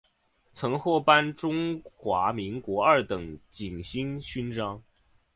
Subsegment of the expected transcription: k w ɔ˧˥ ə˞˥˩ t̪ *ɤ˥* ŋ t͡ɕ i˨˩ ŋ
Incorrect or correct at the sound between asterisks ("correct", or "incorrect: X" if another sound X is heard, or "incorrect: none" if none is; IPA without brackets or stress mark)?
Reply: incorrect: ɤ˨˩